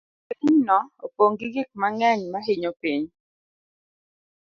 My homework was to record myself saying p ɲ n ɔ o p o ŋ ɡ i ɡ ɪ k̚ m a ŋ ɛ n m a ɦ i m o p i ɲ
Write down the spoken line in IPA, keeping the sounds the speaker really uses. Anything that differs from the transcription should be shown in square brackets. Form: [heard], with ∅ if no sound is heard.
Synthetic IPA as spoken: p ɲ n ɔ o p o ŋ ɡ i ɡ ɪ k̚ m a ŋ ɛ [ɲ] m a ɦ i [ɲ] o p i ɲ